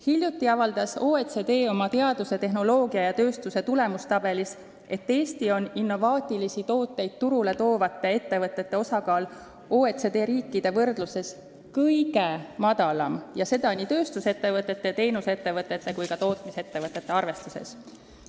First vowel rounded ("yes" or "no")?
no